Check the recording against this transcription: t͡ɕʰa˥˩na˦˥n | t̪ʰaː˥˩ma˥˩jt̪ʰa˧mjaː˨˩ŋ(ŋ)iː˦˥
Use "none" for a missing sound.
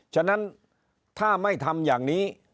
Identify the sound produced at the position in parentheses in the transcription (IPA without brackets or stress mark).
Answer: n